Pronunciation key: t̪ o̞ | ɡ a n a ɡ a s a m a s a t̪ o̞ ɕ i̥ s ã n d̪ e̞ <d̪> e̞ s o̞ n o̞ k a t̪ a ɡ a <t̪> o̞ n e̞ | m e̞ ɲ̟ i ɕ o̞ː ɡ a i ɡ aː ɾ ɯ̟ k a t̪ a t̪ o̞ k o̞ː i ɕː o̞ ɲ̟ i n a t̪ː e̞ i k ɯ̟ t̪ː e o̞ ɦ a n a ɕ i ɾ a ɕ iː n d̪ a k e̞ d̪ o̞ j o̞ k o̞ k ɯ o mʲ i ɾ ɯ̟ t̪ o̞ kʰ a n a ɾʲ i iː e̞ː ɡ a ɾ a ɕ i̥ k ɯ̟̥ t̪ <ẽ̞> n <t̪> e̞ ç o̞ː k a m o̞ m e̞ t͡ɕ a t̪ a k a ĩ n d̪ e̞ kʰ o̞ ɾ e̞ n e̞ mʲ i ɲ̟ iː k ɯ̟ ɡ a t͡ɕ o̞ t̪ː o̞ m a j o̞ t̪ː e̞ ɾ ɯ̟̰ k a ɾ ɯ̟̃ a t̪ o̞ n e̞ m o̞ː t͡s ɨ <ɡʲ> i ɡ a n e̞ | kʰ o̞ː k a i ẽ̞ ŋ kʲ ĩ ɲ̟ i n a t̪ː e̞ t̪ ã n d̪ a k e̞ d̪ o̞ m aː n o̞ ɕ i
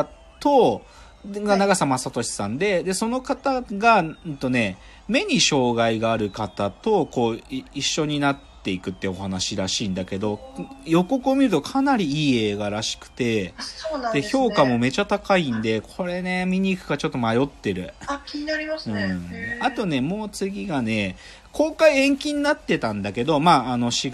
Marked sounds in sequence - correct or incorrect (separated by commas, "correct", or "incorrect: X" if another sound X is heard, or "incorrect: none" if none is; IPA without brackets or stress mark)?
correct, correct, incorrect: e̞, incorrect: d̪, correct